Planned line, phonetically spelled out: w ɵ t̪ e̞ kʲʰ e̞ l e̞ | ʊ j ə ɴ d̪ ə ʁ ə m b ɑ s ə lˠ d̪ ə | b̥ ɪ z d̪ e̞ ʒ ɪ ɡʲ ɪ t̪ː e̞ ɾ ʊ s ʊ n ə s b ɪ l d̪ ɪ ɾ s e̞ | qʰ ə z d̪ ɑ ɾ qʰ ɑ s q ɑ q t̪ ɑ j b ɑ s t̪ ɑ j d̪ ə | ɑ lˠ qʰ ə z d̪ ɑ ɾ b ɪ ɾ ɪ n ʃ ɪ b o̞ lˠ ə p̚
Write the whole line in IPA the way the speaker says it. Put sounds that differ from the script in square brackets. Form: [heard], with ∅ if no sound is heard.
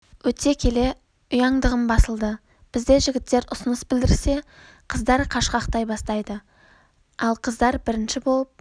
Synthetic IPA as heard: w ɵ t̪ e̞ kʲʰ e̞ l e̞ | ʊ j [ɑ] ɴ d̪ ə ʁ ə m b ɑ s ə lˠ d̪ ə | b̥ ɪ z d̪ e̞ ʒ ɪ ɡʲ ɪ t̪ː e̞ ɾ ʊ s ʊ n ə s b ɪ l d̪ ɪ ɾ s e̞ | qʰ ə z d̪ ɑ ɾ qʰ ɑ [ʃ] q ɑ q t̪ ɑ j b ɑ s t̪ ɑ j d̪ ə | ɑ lˠ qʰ ə z d̪ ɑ ɾ b ɪ ɾ ɪ n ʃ ɪ b o̞ lˠ ə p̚